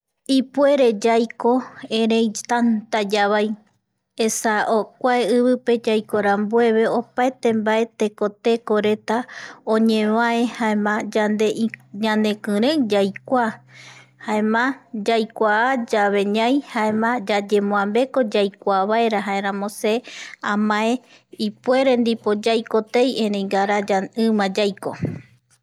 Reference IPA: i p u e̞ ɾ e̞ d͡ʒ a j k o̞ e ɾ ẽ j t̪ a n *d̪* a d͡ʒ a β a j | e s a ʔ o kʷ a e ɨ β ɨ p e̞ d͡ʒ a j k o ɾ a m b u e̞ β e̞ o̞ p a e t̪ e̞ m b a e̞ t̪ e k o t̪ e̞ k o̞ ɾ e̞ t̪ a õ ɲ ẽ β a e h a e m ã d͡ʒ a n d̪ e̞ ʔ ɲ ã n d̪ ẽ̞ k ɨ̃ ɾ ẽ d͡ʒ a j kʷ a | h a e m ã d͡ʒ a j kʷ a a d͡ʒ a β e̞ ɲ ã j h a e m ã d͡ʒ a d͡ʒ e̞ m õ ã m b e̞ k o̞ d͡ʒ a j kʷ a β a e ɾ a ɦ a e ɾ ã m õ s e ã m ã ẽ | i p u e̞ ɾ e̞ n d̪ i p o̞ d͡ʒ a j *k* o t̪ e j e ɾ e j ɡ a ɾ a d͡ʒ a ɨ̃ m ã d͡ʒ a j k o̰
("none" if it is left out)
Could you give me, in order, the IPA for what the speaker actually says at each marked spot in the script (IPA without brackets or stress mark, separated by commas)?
t̪, k